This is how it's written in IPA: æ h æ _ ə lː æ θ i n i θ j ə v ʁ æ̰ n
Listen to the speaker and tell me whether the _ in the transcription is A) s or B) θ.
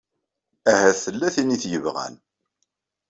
B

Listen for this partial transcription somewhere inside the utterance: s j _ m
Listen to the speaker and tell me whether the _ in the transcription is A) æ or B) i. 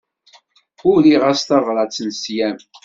A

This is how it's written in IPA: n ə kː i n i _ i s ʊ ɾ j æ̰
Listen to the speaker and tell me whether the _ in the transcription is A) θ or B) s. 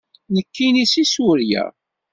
B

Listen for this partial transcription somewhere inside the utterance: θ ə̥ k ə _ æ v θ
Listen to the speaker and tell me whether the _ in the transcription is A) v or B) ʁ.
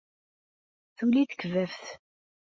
A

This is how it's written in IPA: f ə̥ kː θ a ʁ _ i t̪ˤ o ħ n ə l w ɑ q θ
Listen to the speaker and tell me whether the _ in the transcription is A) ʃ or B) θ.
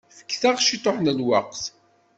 A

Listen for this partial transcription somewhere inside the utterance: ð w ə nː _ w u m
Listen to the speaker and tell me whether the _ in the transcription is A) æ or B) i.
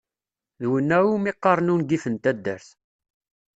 A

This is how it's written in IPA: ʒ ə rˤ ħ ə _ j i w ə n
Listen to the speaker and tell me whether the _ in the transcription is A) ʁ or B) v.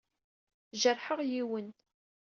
A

